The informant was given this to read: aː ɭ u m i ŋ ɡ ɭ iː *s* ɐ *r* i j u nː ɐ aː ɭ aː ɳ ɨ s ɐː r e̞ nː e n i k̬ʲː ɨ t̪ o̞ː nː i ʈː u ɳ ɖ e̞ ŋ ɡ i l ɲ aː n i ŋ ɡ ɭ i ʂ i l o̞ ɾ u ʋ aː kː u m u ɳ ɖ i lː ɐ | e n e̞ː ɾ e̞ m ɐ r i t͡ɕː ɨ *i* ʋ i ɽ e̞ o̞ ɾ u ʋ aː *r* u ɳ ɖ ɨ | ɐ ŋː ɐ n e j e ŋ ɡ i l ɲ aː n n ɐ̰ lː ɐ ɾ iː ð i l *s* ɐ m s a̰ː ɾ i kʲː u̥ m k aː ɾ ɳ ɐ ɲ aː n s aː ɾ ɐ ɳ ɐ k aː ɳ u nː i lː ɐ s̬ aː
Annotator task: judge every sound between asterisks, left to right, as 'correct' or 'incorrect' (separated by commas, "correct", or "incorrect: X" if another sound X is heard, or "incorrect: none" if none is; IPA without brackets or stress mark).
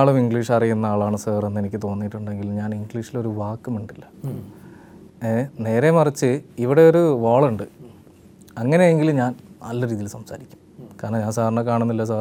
incorrect: ʂ, correct, correct, incorrect: ɭ, correct